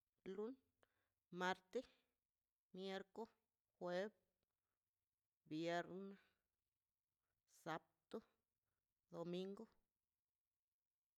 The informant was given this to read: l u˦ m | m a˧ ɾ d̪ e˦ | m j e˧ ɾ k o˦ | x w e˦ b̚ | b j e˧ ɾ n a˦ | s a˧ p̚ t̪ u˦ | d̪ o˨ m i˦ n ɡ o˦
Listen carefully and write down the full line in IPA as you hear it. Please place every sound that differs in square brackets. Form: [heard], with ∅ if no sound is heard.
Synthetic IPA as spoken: l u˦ [n] | m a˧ ɾ [t̪] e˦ | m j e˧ ɾ k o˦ | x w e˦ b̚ | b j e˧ ɾ n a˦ | s a˧ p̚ t̪ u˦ | d̪ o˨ m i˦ [ŋ] ɡ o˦